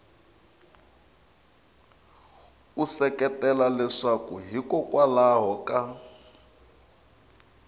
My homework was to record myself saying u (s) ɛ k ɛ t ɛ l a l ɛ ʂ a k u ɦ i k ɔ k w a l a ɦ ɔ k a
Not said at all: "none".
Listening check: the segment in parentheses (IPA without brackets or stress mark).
s